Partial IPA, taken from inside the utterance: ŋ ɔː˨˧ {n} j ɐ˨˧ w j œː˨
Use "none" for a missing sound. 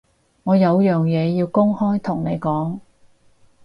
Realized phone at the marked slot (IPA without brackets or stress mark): none